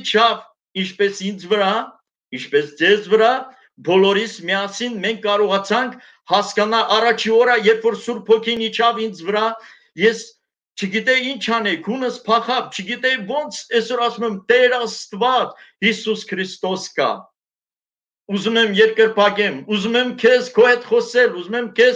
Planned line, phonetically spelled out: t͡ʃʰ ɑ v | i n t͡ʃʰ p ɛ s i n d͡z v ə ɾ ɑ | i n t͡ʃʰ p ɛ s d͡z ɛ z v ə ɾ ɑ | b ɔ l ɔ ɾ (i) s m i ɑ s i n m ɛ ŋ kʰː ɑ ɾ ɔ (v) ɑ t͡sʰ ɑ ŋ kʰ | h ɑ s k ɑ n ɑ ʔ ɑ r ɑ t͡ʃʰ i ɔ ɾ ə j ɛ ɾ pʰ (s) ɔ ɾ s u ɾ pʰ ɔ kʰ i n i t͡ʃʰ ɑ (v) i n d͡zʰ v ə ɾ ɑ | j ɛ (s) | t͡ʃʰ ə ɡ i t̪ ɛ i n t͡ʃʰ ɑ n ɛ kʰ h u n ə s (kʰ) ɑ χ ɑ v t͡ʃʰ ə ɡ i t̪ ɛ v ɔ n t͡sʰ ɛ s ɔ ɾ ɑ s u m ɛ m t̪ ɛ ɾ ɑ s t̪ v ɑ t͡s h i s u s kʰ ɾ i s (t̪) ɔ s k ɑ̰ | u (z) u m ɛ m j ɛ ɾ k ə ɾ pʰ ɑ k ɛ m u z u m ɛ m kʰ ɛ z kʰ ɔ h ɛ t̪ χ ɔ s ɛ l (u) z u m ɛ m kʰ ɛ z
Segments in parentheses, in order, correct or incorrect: correct, incorrect: ʁ, incorrect: f, correct, correct, incorrect: pʰ, correct, correct, correct

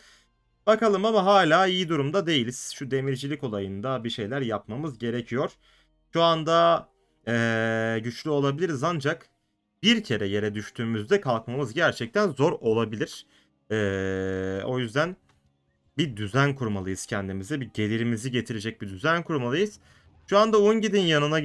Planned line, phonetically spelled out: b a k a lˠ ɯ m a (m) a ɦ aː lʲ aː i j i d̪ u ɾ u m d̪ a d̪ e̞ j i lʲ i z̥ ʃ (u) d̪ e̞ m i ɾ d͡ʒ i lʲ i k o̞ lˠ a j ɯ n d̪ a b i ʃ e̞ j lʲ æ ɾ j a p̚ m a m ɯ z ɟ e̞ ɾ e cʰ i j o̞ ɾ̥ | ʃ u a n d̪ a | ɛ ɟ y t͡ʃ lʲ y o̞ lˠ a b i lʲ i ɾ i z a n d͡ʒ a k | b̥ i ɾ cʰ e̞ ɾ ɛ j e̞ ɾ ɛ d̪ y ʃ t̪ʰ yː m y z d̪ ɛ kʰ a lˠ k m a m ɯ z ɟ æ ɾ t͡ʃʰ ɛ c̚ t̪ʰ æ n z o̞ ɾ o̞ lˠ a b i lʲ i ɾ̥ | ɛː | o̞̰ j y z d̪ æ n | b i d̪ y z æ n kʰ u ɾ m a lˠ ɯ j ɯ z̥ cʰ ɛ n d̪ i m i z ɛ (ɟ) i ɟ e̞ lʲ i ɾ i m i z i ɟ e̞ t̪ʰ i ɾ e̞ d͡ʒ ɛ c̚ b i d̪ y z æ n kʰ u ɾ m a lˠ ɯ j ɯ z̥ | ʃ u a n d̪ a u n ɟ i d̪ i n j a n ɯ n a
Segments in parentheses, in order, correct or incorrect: correct, correct, incorrect: b

